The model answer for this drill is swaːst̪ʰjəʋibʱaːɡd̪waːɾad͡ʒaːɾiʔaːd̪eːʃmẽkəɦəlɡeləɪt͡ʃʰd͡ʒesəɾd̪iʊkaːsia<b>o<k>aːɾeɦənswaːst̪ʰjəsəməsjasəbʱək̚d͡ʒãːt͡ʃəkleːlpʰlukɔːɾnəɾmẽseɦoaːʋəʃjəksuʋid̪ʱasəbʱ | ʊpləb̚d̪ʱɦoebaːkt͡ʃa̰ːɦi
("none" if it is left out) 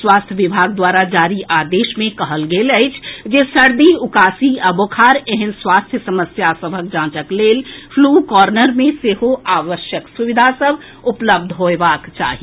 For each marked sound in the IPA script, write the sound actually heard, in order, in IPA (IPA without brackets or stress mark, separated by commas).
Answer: b, kʰ